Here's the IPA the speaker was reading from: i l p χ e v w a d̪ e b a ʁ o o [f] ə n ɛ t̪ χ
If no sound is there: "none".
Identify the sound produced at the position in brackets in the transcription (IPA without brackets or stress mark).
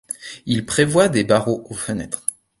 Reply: f